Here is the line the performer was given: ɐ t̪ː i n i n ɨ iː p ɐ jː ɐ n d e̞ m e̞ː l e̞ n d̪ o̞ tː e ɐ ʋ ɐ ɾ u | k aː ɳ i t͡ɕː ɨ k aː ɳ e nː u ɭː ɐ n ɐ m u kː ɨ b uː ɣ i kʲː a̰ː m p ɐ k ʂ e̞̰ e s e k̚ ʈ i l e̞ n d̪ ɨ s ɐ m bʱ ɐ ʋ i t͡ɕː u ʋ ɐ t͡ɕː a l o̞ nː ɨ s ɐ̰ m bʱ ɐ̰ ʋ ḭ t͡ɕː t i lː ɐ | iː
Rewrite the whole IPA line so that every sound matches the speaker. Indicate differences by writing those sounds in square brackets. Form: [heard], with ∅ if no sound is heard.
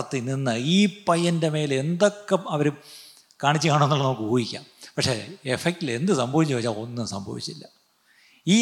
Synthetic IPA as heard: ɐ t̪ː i n i [nː] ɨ iː p ɐ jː ɐ n d e̞ m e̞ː l e̞ n d̪ o̞ [kː] e ɐ ʋ ɐ ɾ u | k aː ɳ i t͡ɕː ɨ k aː ɳ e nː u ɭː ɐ n ɐ m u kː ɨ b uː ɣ i kʲː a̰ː m p ɐ k ʂ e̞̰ e [f] e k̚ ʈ i l e̞ n d̪ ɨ s ɐ m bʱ ɐ ʋ i t͡ɕː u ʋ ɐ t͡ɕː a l o̞ nː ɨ s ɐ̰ m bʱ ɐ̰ ʋ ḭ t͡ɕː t i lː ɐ | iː